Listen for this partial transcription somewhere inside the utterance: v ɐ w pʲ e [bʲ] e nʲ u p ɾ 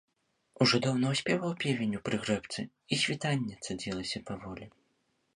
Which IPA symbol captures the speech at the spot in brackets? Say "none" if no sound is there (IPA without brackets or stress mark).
vʲ